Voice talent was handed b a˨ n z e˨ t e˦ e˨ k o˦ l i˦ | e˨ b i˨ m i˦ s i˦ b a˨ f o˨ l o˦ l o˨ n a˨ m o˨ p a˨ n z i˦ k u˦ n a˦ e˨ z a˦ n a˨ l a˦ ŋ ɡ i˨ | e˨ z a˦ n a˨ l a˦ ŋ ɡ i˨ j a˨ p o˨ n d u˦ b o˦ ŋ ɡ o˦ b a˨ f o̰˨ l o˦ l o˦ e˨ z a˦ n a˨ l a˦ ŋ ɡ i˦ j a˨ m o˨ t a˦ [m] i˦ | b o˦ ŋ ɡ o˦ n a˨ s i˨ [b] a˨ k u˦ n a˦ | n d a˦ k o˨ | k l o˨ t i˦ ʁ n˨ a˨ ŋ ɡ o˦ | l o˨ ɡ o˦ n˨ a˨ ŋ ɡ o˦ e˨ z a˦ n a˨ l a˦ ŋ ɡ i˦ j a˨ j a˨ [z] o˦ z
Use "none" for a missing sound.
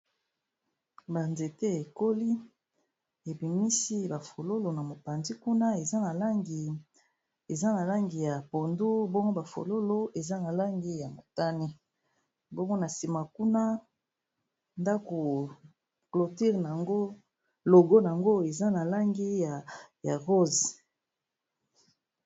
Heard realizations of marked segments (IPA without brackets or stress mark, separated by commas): n, m, ʁ